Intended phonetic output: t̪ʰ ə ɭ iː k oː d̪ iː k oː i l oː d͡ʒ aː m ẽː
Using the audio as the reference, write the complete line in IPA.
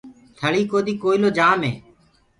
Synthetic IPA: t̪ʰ ə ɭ iː k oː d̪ iː k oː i l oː d͡ʒ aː m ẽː